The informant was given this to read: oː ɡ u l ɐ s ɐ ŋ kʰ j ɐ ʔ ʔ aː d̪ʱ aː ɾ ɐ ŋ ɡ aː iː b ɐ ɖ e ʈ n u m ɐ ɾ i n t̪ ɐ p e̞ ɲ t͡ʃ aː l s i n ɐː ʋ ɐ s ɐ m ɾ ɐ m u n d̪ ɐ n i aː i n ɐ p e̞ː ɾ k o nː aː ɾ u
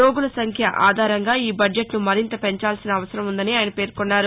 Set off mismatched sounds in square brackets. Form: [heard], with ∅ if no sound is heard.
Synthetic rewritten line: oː ɡ u l ɐ s ɐ ŋ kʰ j ɐ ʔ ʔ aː d̪ʱ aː ɾ ɐ ŋ ɡ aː iː b ɐ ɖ e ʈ n u m ɐ ɾ i n t̪ ɐ p e̞ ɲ t͡ʃ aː l s i n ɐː ʋ ɐ s ɐ [∅] ɾ ɐ m u n d̪ ɐ n i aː [j] n ɐ p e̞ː ɾ k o nː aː ɾ u